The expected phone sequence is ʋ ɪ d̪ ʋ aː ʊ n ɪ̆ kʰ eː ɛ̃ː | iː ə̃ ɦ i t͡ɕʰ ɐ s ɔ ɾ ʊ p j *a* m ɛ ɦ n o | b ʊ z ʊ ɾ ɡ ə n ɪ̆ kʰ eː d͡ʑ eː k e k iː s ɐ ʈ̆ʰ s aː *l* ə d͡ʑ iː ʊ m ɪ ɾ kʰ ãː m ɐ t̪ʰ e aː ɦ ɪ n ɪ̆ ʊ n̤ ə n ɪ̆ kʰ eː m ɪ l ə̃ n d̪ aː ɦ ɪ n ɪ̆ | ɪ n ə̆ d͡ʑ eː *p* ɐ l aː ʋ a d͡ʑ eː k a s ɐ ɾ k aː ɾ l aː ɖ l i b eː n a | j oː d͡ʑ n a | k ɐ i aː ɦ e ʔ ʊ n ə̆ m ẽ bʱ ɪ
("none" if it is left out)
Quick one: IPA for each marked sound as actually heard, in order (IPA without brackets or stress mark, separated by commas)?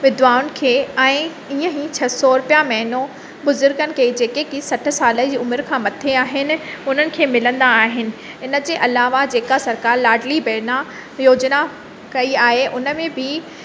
a, l, ʔ